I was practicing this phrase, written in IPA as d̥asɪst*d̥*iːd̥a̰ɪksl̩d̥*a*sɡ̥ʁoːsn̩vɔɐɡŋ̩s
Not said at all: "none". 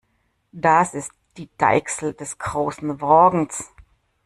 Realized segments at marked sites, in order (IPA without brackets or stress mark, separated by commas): d̥, ɛ